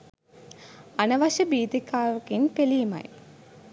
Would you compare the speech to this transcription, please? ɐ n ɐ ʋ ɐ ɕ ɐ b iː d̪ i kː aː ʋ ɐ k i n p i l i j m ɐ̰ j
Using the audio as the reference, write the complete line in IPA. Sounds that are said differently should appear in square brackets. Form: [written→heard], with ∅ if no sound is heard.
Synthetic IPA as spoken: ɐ n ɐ ʋ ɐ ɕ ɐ b iː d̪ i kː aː ʋ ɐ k i n p [i→e] l i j m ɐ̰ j